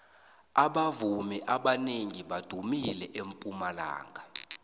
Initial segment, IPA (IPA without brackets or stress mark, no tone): a